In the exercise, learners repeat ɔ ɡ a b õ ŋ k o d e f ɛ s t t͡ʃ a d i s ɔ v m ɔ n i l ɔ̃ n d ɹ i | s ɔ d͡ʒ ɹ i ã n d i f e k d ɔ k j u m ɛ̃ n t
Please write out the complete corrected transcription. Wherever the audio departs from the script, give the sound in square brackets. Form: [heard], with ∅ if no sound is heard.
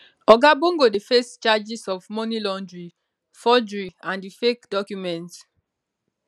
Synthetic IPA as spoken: ɔ ɡ a b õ ŋ [ɡ] o d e f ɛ s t t͡ʃ a [d͡ʒ] i s ɔ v m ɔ n i l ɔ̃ n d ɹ i | [f] ɔ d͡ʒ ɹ i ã n d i f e k d ɔ k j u m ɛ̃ n t